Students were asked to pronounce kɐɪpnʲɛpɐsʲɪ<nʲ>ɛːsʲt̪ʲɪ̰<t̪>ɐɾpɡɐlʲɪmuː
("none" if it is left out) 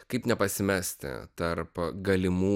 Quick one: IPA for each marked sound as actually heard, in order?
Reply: mʲ, t̪

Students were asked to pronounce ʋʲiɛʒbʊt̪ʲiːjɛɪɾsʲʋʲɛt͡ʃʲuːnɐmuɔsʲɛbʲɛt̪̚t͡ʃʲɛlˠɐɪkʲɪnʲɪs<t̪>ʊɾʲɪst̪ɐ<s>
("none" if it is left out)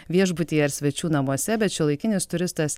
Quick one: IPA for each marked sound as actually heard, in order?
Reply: t̪, s

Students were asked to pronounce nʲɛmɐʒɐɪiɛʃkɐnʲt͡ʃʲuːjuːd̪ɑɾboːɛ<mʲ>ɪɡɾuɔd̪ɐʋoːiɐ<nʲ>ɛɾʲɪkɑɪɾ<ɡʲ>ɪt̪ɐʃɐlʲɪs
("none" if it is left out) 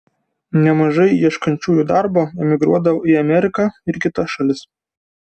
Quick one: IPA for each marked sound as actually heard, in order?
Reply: mʲ, mʲ, kʲ

